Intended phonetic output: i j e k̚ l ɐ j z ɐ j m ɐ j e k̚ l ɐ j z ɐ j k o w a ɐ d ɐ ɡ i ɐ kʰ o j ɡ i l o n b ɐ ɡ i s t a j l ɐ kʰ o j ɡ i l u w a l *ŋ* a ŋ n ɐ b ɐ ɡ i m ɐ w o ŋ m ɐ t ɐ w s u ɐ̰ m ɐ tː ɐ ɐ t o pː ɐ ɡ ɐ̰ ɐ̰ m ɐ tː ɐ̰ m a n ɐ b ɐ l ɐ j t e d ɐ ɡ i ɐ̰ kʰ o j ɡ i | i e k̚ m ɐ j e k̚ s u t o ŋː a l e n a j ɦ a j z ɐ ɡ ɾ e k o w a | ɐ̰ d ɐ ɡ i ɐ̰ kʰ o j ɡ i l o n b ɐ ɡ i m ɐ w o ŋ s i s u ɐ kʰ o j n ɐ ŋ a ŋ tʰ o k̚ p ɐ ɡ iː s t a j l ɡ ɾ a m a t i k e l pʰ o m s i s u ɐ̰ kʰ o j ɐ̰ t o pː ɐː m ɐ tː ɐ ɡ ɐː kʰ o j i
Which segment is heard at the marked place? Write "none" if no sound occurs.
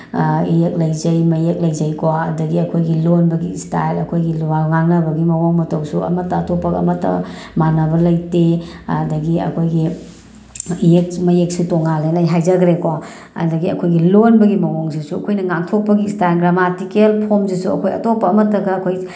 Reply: ŋ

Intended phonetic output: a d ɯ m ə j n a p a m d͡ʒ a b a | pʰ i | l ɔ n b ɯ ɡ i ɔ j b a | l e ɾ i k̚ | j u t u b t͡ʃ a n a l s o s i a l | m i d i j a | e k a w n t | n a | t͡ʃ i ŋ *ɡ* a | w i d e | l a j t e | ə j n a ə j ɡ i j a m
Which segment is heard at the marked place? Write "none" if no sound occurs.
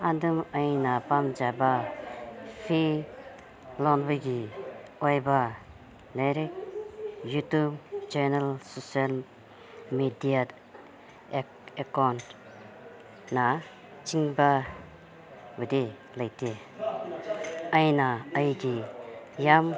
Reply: b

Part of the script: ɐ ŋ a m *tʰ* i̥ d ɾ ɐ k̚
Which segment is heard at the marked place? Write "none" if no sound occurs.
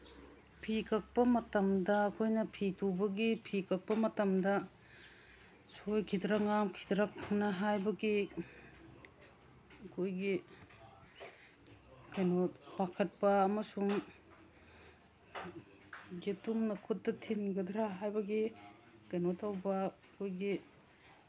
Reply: kʰ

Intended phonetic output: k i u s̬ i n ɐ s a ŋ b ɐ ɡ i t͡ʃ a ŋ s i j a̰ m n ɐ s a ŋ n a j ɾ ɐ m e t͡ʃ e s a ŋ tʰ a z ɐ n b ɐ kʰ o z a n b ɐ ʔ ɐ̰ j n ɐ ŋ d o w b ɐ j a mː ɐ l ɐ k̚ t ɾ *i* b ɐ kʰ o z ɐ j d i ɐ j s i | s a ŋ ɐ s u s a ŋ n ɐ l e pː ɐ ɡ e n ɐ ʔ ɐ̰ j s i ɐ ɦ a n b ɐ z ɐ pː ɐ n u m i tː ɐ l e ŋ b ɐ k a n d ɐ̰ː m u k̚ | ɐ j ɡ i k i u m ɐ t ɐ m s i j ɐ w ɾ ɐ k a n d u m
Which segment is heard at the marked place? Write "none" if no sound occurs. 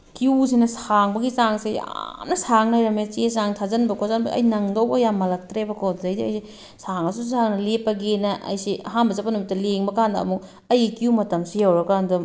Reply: e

